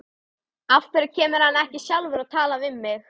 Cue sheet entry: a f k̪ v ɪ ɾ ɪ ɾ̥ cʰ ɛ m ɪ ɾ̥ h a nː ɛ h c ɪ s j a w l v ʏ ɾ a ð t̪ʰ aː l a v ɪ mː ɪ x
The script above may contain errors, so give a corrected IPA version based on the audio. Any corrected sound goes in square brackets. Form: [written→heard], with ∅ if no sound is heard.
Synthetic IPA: a f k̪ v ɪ ɾ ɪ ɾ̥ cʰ [ɛ→ɛː] m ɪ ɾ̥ h a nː ɛ h c ɪ s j a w l v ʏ ɾ a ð t̪ʰ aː l a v ɪ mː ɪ x

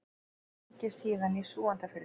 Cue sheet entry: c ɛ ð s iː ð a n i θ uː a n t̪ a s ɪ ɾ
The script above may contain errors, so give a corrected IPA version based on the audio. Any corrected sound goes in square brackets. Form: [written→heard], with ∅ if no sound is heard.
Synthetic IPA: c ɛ [ð→∅] s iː ð a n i [θ→s] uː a n t̪ a [s→f] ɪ ɾ

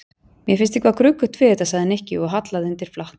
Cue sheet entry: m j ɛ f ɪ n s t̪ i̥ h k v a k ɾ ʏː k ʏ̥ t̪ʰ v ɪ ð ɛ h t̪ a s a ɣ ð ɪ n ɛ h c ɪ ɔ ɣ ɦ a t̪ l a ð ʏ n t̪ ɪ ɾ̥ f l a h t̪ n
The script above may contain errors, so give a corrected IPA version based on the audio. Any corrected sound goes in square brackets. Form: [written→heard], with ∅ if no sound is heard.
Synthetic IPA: m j ɛ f ɪ n s t̪ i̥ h k v a k ɾ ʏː k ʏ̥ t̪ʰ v ɪ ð ɛ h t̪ a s a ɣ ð ɪ n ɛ h c ɪ ɔ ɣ ɦ a t̪ l a ð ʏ n t̪ ɪ ɾ̥ f l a h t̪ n

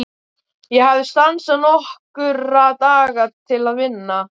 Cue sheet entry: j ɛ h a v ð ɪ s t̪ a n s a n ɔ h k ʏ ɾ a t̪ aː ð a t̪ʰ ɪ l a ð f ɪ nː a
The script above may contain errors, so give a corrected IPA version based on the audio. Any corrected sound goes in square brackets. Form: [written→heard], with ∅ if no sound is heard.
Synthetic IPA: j ɛ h a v ð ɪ s t̪ a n s a n ɔ h k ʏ ɾ a t̪ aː [ð→ɣ] a t̪ʰ ɪ l a ð [f→v] ɪ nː a

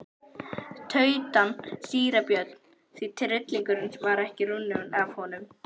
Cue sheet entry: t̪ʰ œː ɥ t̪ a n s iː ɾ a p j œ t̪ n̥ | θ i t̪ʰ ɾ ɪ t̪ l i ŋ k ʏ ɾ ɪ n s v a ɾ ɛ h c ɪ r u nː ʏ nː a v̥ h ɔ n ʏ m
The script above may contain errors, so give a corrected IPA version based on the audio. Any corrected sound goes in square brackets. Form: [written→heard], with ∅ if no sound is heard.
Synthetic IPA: t̪ʰ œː ɥ t̪ a n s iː ɾ a p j œ t̪ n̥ | θ i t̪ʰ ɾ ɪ t̪ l i ŋ k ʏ ɾ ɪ n s v a ɾ ɛ h c ɪ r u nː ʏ [nː→n] a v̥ h ɔ n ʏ m

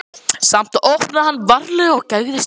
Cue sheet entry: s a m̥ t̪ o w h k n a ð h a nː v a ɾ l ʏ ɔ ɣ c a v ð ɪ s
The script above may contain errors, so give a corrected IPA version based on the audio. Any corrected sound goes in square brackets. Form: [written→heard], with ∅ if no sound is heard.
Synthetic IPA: s a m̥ t̪ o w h [k→p] n a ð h a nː v a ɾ l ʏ ɔ ɣ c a [v→ɣ] ð ɪ s

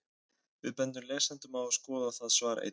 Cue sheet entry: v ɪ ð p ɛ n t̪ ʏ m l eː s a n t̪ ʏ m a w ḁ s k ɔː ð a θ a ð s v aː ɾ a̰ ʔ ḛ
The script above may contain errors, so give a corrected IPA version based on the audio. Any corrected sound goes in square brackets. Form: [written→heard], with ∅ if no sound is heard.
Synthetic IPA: v ɪ ð p ɛ n t̪ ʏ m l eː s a n t̪ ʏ m a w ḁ s k ɔː ð a θ a ð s v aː ɾ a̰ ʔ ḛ

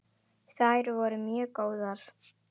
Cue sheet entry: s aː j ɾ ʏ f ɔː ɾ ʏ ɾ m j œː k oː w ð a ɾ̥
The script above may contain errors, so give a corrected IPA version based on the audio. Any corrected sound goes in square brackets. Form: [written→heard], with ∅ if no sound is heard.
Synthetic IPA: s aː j ɾ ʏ [f→v] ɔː ɾ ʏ [ɾ→∅] m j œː k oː w ð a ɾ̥

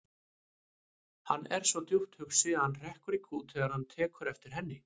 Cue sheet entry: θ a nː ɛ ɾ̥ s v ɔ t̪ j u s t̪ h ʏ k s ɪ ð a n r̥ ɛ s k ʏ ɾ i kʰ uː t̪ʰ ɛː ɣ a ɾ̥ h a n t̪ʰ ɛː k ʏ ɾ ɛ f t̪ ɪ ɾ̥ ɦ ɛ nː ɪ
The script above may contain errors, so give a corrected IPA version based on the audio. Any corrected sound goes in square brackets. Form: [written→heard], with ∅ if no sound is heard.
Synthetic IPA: [θ→h] a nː ɛ ɾ̥ s v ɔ t̪ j u [s→h] t̪ h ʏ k s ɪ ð a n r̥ ɛ [s→h] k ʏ ɾ i kʰ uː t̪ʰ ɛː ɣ a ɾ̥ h a n t̪ʰ ɛː k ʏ ɾ ɛ f t̪ ɪ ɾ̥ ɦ ɛ nː ɪ

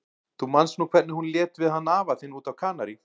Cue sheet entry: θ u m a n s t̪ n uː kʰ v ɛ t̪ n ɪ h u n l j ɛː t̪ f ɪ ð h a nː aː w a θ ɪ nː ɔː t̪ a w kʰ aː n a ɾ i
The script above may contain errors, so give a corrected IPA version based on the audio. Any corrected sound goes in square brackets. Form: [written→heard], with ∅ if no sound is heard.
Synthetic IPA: θ u m a n s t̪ n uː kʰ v ɛ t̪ n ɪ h u n l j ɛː t̪ [f→v] ɪ ð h a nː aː [w→v] a θ ɪ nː [ɔː→uː] t̪ a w kʰ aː n a ɾ i

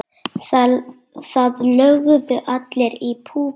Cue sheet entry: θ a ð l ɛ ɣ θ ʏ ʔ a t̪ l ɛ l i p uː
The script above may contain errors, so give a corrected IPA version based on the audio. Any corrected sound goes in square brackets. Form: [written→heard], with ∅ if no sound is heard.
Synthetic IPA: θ a ð l [ɛ→œ] ɣ [θ→ð] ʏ ʔ a t̪ l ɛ [l→ɾ] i [p→pʰ] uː

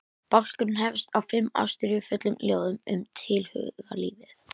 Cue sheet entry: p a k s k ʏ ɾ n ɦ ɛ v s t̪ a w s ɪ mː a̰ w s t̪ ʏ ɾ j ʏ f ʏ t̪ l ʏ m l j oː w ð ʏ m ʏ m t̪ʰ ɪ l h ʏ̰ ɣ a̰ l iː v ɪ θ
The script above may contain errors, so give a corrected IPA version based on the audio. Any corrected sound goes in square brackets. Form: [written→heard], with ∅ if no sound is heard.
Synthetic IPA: p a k s k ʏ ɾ n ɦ ɛ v s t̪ a w [s→f] ɪ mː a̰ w s t̪ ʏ ɾ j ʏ f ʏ t̪ l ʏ m l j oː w ð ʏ m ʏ m t̪ʰ ɪ l h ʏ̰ ɣ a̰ l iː v ɪ θ

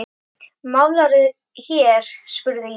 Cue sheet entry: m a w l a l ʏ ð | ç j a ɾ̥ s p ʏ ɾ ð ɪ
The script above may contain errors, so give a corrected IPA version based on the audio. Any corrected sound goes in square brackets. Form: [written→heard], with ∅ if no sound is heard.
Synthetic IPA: m a w l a [l→ɾ] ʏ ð | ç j [a→ɛ] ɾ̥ s p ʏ ɾ ð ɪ

